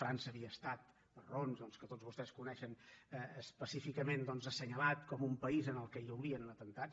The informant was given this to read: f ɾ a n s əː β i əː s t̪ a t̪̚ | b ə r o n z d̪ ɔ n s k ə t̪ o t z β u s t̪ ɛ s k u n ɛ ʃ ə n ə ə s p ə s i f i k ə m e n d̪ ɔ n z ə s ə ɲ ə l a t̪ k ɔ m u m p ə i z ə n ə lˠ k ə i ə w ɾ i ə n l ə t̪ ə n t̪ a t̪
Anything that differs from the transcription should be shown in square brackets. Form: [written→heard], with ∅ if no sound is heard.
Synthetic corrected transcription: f ɾ a n s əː β i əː s t̪ a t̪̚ | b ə r o n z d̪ ɔ n s k ə t̪ o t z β u s t̪ ɛ s k u n ɛ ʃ ə n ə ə s p ə s i f i k ə m e n d̪ ɔ n z ə s ə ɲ ə l a t̪ k ɔ m u m p ə i z ə n ə lˠ k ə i ə w ɾ i ə n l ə t̪ ə n t̪ a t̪

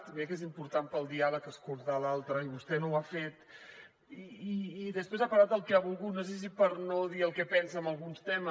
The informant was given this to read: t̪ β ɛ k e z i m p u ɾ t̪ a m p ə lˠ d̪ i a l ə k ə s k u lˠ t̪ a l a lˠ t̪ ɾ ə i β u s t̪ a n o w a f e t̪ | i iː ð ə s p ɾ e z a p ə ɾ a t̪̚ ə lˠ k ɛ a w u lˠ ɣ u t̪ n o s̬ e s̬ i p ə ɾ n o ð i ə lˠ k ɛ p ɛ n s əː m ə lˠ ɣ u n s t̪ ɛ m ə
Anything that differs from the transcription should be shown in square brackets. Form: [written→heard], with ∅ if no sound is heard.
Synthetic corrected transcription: t̪ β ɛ k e z i m p u ɾ t̪ a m p ə lˠ d̪ i a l ə k ə s k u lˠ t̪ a l a lˠ t̪ ɾ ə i β u s t̪ [a→ɛ] n o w a f e t̪ | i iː ð ə s p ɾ e z a p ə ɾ a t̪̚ ə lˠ k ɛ a [w→β] u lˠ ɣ u t̪ n o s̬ e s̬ i p ə ɾ n o ð i ə lˠ k ɛ p ɛ n s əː m ə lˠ ɣ u n s t̪ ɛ m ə

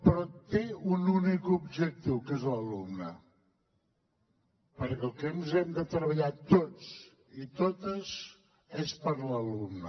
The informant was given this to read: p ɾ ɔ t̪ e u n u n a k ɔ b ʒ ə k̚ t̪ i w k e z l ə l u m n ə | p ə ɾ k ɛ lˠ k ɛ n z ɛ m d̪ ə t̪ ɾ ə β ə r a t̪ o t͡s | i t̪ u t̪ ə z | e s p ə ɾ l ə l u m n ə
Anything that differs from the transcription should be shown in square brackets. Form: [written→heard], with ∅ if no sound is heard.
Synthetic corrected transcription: p ɾ ɔ t̪ e u n u n [a→i] k [ɔ→u] b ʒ ə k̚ t̪ i w k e z l ə l u m n ə | p ə ɾ k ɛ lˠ k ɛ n z ɛ m d̪ ə t̪ ɾ ə β ə [r→ʎ] a t̪ o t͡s | i t̪ [u→o] t̪ ə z | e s p ə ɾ l ə l u m n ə

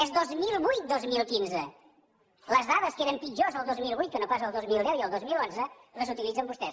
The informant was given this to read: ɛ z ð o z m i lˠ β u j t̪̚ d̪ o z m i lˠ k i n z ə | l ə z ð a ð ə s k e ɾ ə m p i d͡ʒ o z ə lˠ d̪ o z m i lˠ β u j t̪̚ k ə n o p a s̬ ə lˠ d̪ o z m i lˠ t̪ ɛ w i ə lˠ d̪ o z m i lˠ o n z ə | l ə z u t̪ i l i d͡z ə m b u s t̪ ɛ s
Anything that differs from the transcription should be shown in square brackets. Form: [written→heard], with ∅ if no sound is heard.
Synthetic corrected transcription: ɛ z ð o z m i lˠ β u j t̪̚ d̪ o z m i lˠ k i n z ə | l ə z ð a ð ə s k e ɾ ə m p i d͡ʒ o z ə lˠ d̪ o z m i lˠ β u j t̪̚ k ə n o p a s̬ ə lˠ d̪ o z m i lˠ [t̪→d̪] ɛ w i ə lˠ d̪ o z m i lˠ o n z ə | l ə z u t̪ i l i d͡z ə m b u s t̪ ɛ s

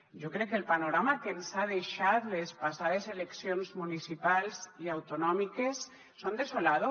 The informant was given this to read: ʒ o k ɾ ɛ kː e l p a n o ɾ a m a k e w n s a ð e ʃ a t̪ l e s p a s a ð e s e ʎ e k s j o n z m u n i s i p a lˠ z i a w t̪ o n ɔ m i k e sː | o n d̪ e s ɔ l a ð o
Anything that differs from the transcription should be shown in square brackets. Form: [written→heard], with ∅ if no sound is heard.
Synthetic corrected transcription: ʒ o k ɾ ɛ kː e l p a n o ɾ a m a k e [w→∅] n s a ð e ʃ a t̪ l e s p a s a ð e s e [ʎ→l] e k s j o n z m u n i s i p a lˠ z i a w t̪ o n ɔ m i k e sː | o n d̪ e s [ɔ→o] l a ð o

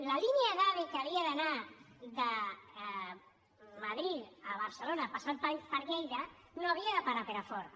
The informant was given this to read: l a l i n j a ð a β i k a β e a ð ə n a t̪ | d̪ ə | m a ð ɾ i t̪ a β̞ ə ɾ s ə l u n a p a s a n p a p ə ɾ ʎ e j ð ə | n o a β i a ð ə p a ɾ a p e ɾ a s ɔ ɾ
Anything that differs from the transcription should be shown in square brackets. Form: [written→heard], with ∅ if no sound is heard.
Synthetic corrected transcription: l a l i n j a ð a β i k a β [e→i] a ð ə n a [t̪→∅] | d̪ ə | m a ð ɾ i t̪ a β̞ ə ɾ s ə l [u→o] n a p a s a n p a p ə ɾ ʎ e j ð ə | n o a β i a ð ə p a ɾ a p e ɾ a [s→f] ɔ ɾ

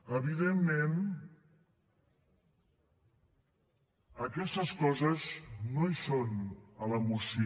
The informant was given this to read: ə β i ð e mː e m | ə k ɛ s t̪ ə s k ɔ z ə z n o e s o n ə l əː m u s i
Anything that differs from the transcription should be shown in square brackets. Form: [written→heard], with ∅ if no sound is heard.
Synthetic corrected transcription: ə β i ð e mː e [m→n] | ə k ɛ s t̪ ə s k ɔ z ə z n o [e→i] s o n ə l [əː→ə] m u s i

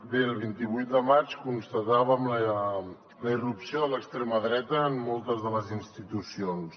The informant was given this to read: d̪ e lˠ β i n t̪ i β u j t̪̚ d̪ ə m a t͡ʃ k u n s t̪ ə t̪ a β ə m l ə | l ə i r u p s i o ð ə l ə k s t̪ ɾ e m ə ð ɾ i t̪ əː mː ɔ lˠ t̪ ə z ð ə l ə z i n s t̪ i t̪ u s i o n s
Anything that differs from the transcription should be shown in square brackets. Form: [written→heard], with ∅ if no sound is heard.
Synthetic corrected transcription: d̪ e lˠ β i n t̪ i β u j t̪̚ d̪ ə m a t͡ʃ k u n s t̪ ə t̪ a β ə m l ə | l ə i r u p s i o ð ə l ə k s t̪ ɾ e m ə ð ɾ [i→ɛ] t̪ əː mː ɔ lˠ t̪ ə z ð ə l ə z i n s t̪ i t̪ u s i o n s

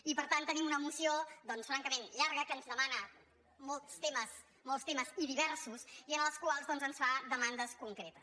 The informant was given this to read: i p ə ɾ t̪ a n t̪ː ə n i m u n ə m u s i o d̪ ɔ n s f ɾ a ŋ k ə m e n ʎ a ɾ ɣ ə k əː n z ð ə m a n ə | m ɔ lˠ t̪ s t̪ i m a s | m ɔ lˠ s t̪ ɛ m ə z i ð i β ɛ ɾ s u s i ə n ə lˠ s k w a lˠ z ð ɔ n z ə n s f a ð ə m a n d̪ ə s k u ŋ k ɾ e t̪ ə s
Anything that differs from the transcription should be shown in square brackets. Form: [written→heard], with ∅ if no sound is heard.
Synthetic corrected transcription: i p ə ɾ t̪ a n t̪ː ə n i m u n ə m u s i o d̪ ɔ n s f ɾ a ŋ k ə m e n ʎ a ɾ ɣ ə k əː n z ð ə m a n ə | m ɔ lˠ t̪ s t̪ [i→e] m [a→ə] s | m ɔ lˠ s t̪ [ɛ→e] m ə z i ð i β ɛ ɾ s u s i ə n ə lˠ s k w a lˠ z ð ɔ n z ə n s f a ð ə m a n d̪ ə s k u ŋ k ɾ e t̪ ə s

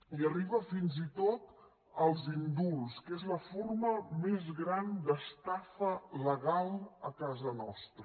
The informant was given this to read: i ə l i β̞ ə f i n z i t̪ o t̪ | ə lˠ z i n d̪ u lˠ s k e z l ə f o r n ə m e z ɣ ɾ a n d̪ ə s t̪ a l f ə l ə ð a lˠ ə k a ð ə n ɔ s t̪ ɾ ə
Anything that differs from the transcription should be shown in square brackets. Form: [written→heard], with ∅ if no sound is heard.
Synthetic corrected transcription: i ə [l→r] i β̞ ə f i n z i t̪ o t̪ | ə lˠ z i n d̪ u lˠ s k e z l ə f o r [n→m] ə m e z ɣ ɾ a n d̪ ə s t̪ a [l→∅] f ə l ə [ð→ɣ] a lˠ ə k a [ð→z] ə n ɔ s t̪ ɾ ə

